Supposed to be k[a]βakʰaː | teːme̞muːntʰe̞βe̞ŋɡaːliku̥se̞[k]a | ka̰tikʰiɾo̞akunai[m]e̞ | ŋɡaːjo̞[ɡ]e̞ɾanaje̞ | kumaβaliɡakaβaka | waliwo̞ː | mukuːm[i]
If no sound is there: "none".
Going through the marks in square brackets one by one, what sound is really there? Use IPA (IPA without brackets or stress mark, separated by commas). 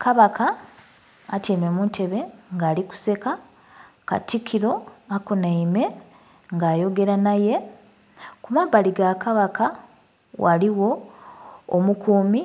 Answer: a, k, m, ɡ, i